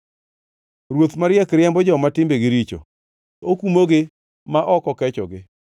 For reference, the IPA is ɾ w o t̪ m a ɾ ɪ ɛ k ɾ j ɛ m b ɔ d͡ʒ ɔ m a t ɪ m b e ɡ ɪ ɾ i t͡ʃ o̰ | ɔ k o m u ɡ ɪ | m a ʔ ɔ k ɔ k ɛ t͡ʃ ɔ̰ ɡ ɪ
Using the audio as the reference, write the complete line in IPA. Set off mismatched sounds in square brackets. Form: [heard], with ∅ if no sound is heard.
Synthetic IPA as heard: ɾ w o t̪ m a ɾ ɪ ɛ k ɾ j ɛ m b ɔ d͡ʒ ɔ m a t ɪ m b e ɡ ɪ ɾ i t͡ʃ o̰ | [o] k [u] m [o] ɡ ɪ | m a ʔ ɔ k ɔ k ɛ t͡ʃ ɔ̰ ɡ ɪ